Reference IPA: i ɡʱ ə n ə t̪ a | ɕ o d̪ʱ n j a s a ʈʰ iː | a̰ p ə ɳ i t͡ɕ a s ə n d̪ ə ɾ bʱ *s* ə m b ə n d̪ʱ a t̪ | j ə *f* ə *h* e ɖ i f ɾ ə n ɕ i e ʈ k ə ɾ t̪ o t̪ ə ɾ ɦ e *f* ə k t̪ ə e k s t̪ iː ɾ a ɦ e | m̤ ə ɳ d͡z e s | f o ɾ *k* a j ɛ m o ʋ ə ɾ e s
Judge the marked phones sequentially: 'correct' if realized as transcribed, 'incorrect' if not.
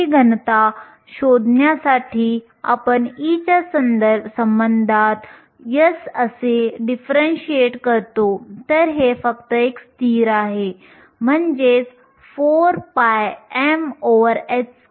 correct, incorrect: s, incorrect: s, correct, incorrect: p

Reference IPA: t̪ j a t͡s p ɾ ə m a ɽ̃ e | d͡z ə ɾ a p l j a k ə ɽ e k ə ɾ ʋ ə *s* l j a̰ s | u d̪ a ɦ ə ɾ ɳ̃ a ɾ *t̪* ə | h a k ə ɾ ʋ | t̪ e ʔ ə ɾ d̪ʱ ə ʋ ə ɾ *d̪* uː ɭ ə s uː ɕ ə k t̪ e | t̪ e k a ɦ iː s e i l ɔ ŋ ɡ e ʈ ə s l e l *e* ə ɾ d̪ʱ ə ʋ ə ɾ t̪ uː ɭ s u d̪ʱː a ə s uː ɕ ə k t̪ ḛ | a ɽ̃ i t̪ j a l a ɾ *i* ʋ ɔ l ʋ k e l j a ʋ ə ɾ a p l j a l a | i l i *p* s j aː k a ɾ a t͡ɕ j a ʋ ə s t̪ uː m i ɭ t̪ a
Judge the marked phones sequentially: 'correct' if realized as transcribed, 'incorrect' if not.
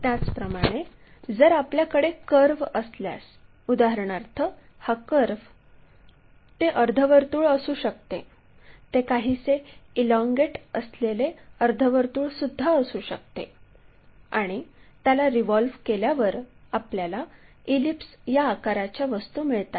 correct, incorrect: t̪ʰ, incorrect: t̪, correct, correct, correct

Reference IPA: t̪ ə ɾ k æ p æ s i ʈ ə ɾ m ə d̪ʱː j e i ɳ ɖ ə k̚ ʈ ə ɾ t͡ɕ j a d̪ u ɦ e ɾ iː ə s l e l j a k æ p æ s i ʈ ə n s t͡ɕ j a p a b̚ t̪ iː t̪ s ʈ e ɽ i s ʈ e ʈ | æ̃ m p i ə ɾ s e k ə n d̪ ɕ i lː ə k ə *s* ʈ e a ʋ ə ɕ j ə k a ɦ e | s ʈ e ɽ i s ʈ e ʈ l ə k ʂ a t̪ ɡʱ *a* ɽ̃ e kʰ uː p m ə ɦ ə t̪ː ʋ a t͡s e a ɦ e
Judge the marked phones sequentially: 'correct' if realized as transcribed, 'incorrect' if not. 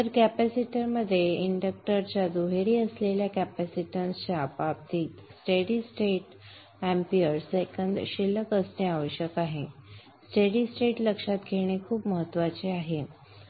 correct, incorrect: e

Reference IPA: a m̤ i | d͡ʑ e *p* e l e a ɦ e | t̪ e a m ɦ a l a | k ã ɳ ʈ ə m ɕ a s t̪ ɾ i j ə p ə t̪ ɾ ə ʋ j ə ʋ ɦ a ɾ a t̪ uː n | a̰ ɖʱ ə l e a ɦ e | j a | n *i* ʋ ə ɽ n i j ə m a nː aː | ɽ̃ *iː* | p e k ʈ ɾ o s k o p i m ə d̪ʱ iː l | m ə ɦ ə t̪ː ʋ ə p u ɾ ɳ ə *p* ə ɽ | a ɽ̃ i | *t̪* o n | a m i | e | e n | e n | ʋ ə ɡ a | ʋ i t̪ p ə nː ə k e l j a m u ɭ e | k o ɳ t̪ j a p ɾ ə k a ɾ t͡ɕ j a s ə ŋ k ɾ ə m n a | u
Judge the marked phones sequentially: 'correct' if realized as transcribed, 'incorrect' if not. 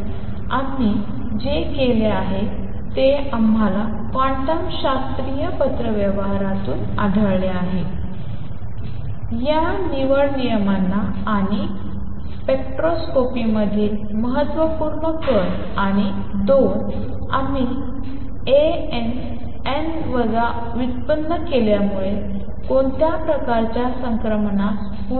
incorrect: k, correct, incorrect: i, incorrect: k, incorrect: d̪

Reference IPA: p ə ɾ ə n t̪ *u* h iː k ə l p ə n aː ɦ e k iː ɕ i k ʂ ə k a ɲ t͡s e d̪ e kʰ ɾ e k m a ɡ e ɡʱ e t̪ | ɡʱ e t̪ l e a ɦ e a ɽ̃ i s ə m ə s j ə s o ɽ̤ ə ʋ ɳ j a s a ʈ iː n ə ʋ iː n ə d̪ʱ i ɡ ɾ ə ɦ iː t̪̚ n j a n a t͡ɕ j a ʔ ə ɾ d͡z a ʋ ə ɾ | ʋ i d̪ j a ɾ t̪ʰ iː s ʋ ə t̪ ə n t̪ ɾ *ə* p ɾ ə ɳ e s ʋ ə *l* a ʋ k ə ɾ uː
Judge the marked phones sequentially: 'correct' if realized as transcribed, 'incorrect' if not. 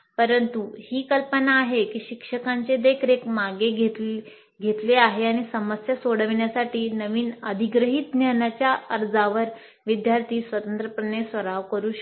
correct, correct, incorrect: ɾ

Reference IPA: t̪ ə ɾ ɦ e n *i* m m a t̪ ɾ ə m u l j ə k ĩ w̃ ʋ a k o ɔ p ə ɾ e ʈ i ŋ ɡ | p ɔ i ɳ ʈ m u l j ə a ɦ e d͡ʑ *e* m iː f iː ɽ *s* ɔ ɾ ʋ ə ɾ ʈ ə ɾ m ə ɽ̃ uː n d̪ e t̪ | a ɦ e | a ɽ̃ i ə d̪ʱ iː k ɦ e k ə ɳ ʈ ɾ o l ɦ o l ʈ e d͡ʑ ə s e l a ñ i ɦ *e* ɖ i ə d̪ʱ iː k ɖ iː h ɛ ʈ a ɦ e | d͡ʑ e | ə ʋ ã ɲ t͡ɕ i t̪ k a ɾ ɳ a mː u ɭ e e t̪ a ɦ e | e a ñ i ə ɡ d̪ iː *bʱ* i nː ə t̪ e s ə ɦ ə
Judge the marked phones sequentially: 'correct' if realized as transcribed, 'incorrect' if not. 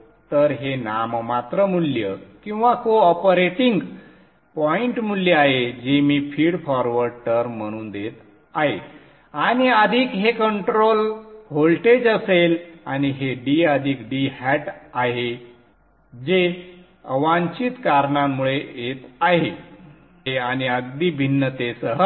incorrect: a, correct, incorrect: f, correct, correct

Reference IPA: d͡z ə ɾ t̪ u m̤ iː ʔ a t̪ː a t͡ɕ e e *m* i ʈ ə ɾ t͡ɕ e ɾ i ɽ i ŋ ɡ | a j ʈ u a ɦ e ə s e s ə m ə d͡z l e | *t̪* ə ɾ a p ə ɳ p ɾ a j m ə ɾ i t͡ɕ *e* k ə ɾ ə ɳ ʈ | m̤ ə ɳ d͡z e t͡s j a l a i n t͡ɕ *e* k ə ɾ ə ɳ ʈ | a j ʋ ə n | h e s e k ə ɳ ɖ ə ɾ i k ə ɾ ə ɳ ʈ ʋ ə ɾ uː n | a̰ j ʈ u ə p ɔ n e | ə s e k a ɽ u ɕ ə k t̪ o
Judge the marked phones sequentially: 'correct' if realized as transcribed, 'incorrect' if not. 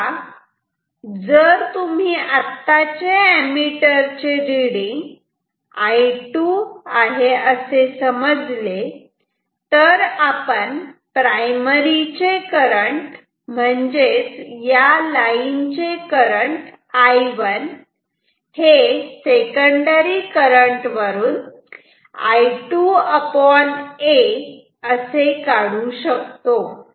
correct, correct, correct, correct

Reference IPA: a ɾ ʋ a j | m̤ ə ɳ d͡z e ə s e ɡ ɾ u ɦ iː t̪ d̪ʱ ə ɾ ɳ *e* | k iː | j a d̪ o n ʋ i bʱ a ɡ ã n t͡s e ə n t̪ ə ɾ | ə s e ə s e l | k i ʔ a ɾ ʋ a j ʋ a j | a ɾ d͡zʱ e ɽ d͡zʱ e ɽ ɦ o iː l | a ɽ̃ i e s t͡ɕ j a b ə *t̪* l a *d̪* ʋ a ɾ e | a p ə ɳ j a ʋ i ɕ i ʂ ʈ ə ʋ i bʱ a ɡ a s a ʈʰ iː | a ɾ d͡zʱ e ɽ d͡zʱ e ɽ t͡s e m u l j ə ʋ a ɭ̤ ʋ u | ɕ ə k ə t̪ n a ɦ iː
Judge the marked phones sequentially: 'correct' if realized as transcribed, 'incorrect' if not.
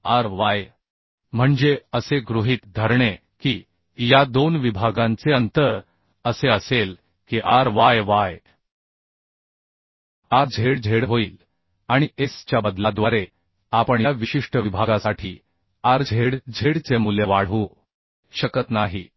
correct, incorrect: d̪, correct

